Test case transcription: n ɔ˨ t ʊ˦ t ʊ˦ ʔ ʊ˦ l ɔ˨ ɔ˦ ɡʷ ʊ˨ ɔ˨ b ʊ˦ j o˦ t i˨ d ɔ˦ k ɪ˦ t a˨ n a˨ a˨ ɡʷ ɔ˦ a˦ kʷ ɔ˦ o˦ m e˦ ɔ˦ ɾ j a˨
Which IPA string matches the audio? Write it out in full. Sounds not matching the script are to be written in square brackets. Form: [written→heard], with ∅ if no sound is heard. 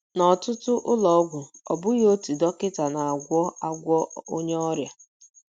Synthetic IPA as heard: n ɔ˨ t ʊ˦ t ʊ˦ ʔ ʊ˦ l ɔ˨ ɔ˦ ɡʷ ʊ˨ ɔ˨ b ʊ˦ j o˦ t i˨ d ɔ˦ k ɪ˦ t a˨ n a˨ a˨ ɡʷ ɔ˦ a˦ [kʷ→ɡʷ] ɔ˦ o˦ [m→ɲ] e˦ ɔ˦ ɾ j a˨

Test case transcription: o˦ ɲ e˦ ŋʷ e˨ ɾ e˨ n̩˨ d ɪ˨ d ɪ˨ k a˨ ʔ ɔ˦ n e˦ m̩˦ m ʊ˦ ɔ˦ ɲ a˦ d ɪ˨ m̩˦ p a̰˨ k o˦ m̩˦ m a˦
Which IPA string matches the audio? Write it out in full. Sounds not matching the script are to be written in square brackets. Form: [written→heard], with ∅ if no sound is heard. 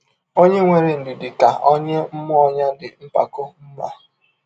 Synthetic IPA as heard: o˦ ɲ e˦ ŋʷ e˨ ɾ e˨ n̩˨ d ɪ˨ d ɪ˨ k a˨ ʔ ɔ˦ [n→ɲ] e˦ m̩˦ m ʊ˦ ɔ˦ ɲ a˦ d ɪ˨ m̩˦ p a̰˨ k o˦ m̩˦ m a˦

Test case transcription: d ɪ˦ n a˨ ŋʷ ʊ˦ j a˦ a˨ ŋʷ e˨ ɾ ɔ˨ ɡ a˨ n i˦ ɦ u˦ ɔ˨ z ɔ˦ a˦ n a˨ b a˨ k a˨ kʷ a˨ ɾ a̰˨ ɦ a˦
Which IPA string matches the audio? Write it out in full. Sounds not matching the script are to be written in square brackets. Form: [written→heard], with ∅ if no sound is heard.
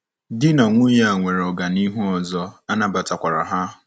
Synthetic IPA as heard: d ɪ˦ n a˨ ŋʷ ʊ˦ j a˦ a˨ ŋʷ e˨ ɾ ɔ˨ ɡ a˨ n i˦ ɦ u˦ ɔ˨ z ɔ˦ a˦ n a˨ b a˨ [k→t] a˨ kʷ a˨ ɾ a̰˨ ɦ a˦

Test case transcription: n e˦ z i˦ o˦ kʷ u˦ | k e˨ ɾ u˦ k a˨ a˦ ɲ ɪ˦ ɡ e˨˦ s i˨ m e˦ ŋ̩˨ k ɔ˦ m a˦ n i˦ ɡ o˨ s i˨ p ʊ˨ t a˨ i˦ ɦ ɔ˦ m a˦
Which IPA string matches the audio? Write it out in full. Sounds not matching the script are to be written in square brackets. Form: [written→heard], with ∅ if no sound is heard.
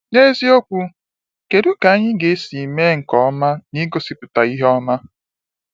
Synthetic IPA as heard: n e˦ z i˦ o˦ kʷ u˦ | k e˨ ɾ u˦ k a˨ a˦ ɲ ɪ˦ ɡ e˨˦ s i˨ m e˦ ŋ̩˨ k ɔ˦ m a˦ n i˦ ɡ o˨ s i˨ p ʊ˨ t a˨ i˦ ɦ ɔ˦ m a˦

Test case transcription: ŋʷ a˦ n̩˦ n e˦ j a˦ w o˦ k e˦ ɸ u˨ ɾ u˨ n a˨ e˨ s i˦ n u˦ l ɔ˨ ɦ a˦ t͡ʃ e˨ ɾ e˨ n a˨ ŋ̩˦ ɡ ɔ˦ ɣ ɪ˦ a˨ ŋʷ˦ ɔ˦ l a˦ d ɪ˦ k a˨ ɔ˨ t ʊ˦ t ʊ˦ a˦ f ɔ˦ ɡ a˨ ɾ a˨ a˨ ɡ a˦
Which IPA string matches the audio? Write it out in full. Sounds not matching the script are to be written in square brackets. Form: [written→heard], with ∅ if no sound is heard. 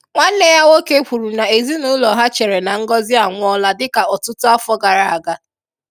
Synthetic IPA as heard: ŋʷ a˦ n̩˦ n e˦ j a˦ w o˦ k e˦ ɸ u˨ ɾ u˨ n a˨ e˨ [s→z] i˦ n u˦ l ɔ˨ ɦ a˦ t͡ʃ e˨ ɾ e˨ n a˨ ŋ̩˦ ɡ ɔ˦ [ɣ→z] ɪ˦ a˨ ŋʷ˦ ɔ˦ l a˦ d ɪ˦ k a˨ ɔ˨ t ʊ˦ t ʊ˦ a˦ f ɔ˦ ɡ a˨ ɾ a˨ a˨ ɡ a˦

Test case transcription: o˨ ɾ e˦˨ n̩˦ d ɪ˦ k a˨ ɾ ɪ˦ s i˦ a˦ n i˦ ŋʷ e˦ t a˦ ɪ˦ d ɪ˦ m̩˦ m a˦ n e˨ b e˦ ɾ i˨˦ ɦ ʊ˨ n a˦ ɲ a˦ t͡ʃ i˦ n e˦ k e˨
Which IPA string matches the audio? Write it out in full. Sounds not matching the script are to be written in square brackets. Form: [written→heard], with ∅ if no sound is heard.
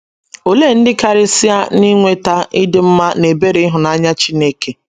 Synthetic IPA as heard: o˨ [ɾ→l] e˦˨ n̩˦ d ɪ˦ k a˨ ɾ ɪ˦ s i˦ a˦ n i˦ ŋʷ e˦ t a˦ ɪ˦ d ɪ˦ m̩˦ m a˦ n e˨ b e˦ ɾ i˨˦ ɦ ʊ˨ n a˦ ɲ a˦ t͡ʃ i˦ n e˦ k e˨

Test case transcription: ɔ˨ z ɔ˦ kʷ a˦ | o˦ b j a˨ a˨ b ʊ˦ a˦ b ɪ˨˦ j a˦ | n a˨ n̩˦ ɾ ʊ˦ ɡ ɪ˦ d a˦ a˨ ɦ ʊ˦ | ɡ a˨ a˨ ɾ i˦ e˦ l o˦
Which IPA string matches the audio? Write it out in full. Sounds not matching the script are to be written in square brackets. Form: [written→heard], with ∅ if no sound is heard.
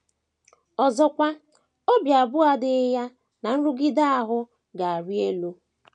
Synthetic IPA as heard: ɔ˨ z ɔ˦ kʷ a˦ | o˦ b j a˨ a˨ b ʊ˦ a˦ [b→d] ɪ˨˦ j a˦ | n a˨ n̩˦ ɾ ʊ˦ ɡ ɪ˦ d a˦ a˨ ɦ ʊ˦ | ɡ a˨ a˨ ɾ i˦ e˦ l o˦

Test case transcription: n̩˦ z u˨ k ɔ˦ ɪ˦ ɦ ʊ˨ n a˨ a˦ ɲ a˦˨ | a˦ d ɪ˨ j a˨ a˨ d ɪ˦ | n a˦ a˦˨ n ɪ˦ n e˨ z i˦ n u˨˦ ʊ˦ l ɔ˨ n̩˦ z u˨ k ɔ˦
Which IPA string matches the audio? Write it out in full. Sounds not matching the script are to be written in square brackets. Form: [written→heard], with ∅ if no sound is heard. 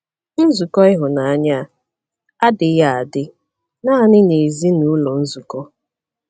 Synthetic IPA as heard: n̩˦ z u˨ k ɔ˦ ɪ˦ ɦ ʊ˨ n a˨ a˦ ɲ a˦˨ | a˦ d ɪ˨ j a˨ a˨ d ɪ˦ | n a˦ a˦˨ n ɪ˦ n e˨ z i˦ n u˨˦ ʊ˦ l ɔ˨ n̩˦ z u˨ k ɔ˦

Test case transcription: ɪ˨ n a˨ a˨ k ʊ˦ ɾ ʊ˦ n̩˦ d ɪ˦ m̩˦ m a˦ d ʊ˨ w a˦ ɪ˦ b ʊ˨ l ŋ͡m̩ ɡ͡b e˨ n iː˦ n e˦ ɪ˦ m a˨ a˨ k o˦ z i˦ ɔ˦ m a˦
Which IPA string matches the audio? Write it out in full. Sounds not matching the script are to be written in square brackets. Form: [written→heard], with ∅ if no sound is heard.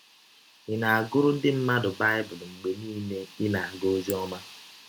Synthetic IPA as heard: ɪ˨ n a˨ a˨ [k→ɡ] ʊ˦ ɾ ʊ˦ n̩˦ d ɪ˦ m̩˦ m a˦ d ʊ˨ [w→b] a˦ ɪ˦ b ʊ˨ l ŋ͡m̩ ɡ͡b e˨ n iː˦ n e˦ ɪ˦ [m→n] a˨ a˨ [k→ɡ] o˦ z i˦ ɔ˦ m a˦

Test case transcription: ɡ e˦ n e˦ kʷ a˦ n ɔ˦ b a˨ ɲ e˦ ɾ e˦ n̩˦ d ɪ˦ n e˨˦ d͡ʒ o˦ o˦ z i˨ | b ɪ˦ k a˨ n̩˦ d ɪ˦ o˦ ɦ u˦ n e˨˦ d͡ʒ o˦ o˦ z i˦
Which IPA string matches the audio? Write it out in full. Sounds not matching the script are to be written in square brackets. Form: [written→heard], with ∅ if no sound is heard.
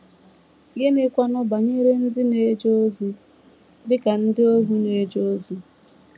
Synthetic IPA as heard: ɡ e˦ n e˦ kʷ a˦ n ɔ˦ b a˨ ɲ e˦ ɾ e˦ n̩˦ d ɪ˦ n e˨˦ d͡ʒ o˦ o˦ z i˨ | [b→d] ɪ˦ k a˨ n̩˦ d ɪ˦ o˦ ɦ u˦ n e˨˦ d͡ʒ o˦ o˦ z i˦

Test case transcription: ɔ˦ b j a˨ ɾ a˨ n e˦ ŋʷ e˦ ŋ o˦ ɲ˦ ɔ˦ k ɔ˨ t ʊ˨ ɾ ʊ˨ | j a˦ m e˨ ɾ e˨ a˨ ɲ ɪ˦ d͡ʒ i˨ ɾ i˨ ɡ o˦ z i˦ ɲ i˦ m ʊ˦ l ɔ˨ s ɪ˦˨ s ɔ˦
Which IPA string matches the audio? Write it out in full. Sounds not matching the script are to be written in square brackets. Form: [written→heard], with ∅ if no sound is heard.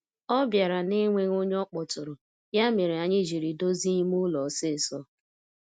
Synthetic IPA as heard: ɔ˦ b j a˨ ɾ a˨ n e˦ ŋʷ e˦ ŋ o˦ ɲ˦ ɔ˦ [k→k͡p] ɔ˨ t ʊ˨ ɾ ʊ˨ | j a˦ m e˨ ɾ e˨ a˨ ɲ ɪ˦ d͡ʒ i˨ ɾ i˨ [ɡ→d] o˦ z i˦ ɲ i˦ m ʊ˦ l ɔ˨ s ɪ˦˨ s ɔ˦

